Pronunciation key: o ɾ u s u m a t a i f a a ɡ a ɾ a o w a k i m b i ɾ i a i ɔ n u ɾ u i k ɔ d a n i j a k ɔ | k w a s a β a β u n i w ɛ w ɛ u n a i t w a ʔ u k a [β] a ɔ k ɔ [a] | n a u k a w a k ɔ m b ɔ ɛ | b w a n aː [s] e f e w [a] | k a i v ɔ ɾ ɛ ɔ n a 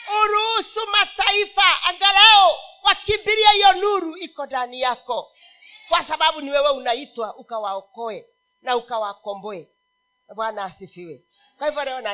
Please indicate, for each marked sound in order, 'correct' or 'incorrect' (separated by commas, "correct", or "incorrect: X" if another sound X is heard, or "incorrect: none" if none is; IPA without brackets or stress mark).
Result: incorrect: w, incorrect: ɛ, correct, incorrect: ɛ